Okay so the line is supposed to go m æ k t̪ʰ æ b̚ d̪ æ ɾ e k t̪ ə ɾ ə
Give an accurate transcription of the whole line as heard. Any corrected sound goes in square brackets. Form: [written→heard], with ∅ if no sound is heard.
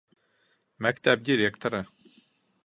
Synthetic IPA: m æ k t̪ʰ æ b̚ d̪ [æ→i] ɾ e k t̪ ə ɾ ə

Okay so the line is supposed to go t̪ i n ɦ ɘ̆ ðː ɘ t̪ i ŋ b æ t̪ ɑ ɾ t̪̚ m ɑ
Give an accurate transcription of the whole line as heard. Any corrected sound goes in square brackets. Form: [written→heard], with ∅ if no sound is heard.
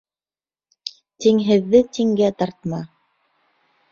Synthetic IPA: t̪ i [n→ŋ] ɦ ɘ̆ ðː ɘ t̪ i ŋ [b→ɡ] æ t̪ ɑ ɾ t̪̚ m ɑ

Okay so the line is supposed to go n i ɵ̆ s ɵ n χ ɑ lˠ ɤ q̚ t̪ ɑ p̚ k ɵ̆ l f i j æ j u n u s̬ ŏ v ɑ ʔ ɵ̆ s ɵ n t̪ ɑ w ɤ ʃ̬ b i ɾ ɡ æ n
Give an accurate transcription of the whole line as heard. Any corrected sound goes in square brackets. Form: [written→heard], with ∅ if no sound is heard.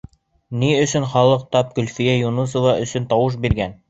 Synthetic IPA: n i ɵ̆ s ɵ n χ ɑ lˠ ɤ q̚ t̪ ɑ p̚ k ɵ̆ l f i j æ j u n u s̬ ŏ v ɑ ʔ ɵ̆ s ɵ n t̪ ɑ w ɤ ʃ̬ b i ɾ ɡ æ n

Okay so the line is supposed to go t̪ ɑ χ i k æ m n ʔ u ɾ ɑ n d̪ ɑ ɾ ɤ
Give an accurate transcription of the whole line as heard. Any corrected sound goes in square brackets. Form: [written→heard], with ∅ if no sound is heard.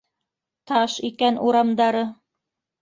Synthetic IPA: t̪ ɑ [χ→ʃ] i k æ [m→∅] n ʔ u ɾ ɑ [n→m] d̪ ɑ ɾ ɤ

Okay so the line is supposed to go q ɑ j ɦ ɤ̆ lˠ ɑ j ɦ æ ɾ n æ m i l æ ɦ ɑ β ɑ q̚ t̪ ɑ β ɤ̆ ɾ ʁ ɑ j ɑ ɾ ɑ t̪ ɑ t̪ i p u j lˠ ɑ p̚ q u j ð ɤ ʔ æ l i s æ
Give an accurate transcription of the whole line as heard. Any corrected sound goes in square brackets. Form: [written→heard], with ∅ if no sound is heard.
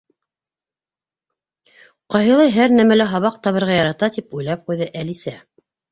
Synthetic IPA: q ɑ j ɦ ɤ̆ lˠ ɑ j ɦ æ ɾ n æ m [i→æ] l æ ɦ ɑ β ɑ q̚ t̪ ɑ β ɤ̆ ɾ ʁ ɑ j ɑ ɾ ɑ t̪ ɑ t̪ i p u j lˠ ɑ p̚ q u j ð ɤ ʔ æ l i s æ

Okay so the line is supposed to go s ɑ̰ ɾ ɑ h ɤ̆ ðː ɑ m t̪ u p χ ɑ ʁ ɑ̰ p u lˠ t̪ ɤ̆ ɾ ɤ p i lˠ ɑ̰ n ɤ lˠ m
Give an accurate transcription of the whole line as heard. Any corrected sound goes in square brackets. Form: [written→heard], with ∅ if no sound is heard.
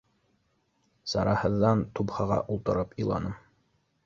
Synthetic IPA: s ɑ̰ ɾ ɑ h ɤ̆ ðː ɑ [m→n] t̪ u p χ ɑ ʁ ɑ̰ [p→ʔ] u lˠ t̪ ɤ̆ ɾ ɤ p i lˠ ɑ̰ n ɤ [lˠ→∅] m

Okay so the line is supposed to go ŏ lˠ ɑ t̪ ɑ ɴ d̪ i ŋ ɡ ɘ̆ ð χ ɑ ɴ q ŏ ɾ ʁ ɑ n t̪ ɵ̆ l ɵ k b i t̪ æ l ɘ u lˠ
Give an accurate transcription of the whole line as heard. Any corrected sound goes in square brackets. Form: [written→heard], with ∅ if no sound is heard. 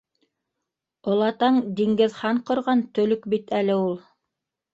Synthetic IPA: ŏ lˠ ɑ t̪ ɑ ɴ d̪ i ŋ ɡ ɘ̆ ð χ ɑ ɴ q ŏ ɾ ʁ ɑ n t̪ ɵ̆ l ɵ k b i t̪ æ l ɘ u lˠ

